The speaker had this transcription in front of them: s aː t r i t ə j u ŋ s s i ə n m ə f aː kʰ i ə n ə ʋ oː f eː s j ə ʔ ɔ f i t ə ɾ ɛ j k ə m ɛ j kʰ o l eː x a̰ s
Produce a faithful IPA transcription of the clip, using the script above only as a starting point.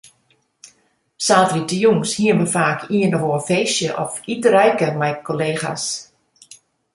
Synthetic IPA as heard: s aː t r i t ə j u ŋ s h i ə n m ə f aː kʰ i ə n ə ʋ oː f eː s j ə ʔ ɔ f i t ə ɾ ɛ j k ə m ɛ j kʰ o l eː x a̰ s